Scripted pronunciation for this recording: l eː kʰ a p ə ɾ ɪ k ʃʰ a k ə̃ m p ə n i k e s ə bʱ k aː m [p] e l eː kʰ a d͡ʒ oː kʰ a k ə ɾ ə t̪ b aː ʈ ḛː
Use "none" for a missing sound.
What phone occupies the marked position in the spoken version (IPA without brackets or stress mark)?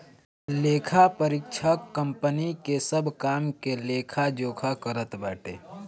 k